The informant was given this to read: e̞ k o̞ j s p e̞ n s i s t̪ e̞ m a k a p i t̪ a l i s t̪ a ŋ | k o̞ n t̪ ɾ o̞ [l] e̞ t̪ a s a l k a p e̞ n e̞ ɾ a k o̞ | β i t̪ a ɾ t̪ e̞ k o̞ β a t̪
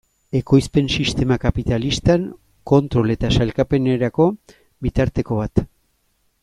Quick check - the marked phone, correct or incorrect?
correct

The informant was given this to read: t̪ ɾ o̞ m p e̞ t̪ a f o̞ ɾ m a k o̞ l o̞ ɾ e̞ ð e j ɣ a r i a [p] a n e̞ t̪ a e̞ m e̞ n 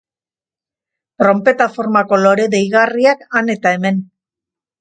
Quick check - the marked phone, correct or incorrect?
incorrect: k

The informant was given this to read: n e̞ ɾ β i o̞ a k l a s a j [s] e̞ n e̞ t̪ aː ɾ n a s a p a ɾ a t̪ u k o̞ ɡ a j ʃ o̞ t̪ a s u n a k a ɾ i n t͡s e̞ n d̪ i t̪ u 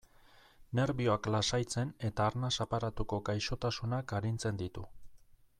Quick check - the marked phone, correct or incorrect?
incorrect: t͡s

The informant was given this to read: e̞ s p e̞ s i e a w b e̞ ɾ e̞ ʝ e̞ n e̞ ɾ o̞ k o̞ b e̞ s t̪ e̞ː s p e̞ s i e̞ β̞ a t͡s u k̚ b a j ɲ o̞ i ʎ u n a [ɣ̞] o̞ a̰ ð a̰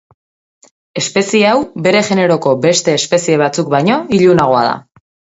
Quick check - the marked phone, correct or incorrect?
correct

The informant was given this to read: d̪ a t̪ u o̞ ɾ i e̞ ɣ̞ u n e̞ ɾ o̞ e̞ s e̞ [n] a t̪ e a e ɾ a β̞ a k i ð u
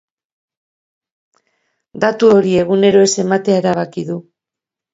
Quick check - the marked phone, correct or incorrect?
incorrect: m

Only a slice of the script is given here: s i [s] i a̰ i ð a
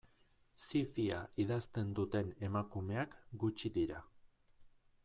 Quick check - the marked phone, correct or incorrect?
incorrect: f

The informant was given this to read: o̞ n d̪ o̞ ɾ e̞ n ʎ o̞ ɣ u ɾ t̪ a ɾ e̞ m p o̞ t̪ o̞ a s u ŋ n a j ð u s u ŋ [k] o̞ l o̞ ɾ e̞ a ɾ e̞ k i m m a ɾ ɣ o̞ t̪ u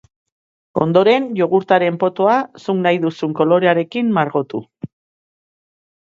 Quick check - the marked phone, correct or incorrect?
correct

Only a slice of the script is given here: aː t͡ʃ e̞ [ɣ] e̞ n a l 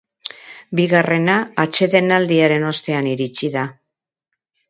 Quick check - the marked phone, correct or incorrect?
incorrect: ð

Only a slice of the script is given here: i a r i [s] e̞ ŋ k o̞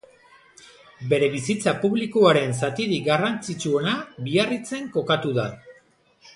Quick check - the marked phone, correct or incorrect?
incorrect: t͡s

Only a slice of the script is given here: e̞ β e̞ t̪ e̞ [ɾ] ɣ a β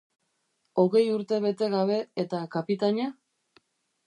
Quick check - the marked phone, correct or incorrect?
incorrect: none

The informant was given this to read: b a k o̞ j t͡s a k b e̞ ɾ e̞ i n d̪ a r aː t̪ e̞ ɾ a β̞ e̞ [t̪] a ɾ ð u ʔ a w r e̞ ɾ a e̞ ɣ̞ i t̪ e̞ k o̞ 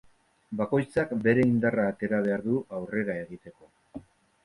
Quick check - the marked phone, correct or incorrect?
incorrect: none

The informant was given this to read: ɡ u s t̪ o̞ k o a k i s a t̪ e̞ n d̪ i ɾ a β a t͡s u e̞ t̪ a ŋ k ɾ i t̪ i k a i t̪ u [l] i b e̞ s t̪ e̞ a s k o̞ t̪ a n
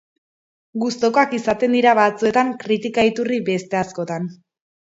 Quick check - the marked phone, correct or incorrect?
incorrect: r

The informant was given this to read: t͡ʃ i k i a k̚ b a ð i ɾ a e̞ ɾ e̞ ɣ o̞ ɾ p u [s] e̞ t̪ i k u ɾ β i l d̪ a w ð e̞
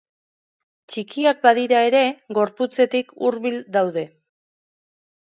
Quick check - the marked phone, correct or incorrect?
incorrect: t͡s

